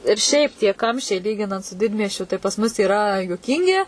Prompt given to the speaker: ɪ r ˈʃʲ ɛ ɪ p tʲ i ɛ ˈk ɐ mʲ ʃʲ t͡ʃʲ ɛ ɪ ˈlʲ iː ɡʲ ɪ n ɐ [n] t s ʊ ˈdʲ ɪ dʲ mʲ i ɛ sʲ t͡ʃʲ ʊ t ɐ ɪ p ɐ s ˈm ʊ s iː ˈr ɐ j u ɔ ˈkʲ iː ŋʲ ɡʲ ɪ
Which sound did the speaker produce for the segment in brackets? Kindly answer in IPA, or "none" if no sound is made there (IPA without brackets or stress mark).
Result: n